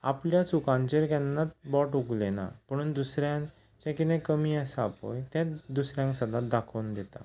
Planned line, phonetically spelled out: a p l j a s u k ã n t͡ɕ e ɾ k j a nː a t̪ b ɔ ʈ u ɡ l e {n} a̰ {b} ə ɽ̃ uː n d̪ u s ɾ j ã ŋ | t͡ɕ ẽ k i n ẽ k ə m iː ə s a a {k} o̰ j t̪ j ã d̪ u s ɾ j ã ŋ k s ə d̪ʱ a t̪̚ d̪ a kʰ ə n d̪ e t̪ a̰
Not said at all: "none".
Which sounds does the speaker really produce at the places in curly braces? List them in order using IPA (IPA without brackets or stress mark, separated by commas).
n, p, p